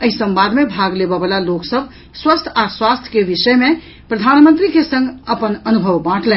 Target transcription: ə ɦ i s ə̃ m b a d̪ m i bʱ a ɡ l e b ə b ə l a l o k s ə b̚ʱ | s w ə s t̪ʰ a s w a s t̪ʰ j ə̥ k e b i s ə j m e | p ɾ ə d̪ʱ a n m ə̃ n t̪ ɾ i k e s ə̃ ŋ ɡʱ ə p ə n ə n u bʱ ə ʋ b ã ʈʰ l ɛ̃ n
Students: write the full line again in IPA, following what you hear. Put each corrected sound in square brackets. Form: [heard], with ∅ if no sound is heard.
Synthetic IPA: ə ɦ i s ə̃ m b a d̪ m [e] bʱ a ɡ l e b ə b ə l a l o k s ə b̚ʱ | s w ə s t̪ʰ a s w a s t̪ʰ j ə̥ k e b i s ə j m e | p ɾ ə d̪ʱ a n m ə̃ n t̪ ɾ i k e s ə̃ ŋ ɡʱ ə p ə n ə n u bʱ ə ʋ b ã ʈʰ l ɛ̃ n